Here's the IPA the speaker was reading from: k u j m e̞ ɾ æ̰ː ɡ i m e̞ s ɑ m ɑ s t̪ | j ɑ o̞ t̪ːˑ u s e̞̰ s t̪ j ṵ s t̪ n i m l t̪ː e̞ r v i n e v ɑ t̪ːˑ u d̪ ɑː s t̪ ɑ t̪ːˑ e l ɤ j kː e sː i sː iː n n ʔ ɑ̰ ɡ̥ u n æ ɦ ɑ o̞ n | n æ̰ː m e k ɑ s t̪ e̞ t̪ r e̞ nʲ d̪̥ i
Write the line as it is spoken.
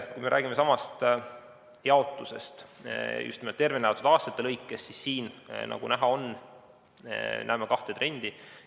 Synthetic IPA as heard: k u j m e̞ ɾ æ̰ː ɡ i m e̞ s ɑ m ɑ s t̪ | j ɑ o̞ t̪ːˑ u s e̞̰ s t̪ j ṵ s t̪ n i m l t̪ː e̞ r v i n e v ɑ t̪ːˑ u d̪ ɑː s t̪ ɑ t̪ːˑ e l ɤ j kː e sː i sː iː n n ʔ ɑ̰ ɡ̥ u n æ ɦ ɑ o̞ n | n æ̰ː m e k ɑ h t̪ e̞ t̪ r e̞ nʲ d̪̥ i